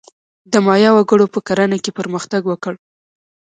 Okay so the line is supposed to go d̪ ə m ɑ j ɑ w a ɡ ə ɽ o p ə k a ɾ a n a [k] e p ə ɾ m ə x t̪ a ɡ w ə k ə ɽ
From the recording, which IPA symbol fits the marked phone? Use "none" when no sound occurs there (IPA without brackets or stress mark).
k